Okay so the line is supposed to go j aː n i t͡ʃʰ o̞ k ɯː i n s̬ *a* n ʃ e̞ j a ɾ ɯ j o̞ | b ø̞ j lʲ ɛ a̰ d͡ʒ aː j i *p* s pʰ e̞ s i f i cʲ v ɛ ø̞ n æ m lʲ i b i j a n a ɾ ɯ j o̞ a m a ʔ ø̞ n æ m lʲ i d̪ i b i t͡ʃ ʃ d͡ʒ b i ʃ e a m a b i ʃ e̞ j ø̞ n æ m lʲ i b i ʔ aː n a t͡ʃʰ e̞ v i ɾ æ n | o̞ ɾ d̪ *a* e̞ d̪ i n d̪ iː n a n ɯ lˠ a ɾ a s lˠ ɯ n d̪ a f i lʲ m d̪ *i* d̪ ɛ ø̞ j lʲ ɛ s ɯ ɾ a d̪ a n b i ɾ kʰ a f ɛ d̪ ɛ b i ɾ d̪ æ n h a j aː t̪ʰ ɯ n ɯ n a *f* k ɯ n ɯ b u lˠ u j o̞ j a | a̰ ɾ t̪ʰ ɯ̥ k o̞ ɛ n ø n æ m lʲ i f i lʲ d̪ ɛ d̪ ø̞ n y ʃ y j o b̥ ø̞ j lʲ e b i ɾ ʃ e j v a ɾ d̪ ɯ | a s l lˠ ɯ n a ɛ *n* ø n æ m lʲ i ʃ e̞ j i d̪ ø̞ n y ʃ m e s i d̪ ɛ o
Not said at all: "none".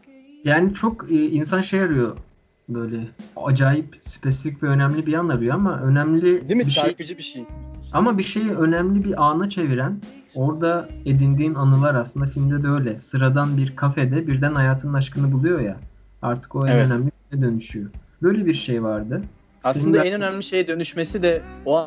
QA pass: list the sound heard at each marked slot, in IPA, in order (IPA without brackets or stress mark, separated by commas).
a, p, a, ɛ, ʃ, n